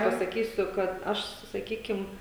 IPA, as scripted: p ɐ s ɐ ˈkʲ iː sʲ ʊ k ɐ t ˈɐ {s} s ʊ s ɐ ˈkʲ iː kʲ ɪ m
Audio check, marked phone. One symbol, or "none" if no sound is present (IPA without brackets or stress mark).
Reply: ʃ